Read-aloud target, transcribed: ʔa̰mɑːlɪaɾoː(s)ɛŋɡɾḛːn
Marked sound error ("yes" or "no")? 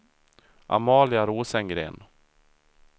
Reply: no